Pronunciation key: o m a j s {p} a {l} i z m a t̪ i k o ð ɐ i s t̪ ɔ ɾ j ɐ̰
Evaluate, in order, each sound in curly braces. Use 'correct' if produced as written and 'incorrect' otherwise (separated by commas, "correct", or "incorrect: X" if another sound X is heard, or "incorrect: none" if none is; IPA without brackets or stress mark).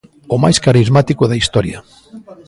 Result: incorrect: k, incorrect: ɾ